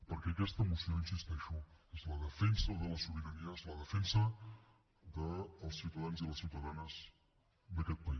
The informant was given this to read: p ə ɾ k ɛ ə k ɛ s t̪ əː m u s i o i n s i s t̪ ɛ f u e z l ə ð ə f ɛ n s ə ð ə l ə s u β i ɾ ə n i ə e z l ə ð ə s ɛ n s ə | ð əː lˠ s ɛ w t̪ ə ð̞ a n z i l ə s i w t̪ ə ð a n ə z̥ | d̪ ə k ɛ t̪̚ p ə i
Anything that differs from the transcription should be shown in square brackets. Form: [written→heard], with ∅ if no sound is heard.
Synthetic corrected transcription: p ə ɾ k ɛ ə k ɛ s t̪ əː m u s i o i n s i s t̪ ɛ [f→ʃ] u e z l ə ð ə f ɛ n s ə ð ə l ə s u β i ɾ ə n i ə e z l ə ð ə [s→f] ɛ n s ə | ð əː lˠ s [ɛ→i] w t̪ ə ð̞ a n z i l ə s i w t̪ ə ð a n ə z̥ | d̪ ə k ɛ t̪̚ p ə i

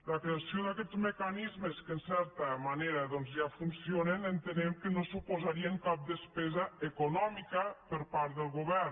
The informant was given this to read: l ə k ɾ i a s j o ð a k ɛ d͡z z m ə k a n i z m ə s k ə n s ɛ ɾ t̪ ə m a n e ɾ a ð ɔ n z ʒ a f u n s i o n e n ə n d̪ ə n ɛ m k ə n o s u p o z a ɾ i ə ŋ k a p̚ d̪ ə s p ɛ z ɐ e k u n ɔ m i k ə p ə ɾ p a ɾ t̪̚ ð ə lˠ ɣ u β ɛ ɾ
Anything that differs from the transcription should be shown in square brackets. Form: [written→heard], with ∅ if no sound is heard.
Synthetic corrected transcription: l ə k ɾ [i→e] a s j o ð a k ɛ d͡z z m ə k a n i z m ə s k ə n s ɛ ɾ t̪ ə m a n e ɾ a ð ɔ n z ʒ a f u n s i o n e n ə n [d̪→t̪] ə n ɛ m k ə n o s u p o z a ɾ i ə ŋ k a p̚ d̪ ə s p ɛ z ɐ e k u n ɔ m i k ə p ə ɾ p a ɾ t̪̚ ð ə lˠ ɣ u β ɛ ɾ

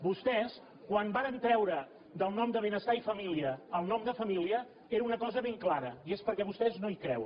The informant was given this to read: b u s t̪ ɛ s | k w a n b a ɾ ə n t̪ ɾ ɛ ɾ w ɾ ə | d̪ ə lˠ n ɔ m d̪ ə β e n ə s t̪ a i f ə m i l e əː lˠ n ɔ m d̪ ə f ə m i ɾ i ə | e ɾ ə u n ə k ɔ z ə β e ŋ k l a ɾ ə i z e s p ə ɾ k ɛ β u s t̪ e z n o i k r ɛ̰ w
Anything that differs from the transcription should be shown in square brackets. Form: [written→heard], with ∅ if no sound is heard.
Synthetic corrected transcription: b u s t̪ ɛ s | k w a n b a ɾ ə n t̪ ɾ ɛ [ɾ→∅] w ɾ ə | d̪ ə lˠ n ɔ m d̪ ə β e n ə s t̪ a i f ə m i l [e→i] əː lˠ n ɔ m d̪ ə f ə m i [ɾ→l] i ə | e ɾ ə u n ə k ɔ z ə β e ŋ k l a ɾ ə i [z→∅] e s p ə ɾ k ɛ β u s t̪ [e→ɛ] z n o i k [r→ɾ] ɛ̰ w

